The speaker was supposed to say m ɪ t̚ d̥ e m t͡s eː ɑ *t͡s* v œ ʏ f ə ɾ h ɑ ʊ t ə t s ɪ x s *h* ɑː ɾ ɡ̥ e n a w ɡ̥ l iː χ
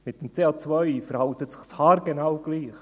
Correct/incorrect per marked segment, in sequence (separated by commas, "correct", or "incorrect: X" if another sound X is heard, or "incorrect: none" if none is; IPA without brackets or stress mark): correct, correct